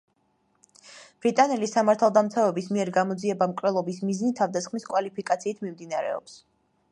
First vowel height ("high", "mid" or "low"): high